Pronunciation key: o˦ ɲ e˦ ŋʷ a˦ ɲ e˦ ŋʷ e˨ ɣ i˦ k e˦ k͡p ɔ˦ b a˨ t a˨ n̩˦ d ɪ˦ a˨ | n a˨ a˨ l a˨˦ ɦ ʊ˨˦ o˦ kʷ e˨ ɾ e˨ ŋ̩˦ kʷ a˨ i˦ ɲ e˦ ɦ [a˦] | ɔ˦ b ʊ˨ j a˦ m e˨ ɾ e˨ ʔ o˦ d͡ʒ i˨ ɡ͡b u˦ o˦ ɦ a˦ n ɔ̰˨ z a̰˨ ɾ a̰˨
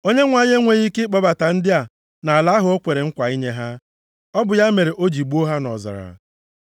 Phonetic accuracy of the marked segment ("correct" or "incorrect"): correct